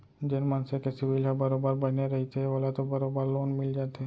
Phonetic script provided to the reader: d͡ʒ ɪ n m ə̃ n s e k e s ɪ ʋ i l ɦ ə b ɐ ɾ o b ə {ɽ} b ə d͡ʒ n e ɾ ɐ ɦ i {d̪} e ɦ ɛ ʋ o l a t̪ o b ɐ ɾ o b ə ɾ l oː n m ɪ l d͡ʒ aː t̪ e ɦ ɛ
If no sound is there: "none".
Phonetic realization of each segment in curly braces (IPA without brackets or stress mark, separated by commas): ɾ, t̪